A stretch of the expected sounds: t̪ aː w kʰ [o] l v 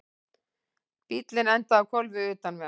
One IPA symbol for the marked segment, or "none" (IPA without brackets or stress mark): ɔ